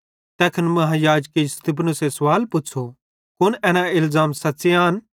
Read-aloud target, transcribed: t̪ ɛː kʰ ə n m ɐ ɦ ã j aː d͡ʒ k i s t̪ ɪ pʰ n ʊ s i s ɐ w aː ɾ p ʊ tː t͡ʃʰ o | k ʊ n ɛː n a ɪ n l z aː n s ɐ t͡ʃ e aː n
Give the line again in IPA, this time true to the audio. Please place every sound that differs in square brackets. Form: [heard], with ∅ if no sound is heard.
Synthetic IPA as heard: t̪ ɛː kʰ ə n m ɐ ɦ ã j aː d͡ʒ k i s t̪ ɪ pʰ n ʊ s [e] s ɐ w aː [l] p ʊ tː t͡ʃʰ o | k ʊ n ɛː n a ɪ [∅] l z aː [m] s ɐ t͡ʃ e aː n